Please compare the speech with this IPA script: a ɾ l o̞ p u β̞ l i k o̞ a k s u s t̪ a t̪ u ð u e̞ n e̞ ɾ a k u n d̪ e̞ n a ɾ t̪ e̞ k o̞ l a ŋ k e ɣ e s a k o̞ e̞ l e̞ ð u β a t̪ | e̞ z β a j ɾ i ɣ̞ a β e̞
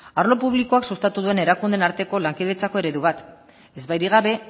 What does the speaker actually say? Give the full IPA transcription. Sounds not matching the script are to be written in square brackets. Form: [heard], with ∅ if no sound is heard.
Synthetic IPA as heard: a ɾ l o̞ p u β̞ l i k o̞ a k s u s t̪ a t̪ u ð u e̞ n e̞ ɾ a k u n d̪ e̞ n a ɾ t̪ e̞ k o̞ l a ŋ k e [ð] e [t͡s] a k o̞ e̞ [ɾ] e̞ ð u β a t̪ | e̞ z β a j ɾ i ɣ̞ a β e̞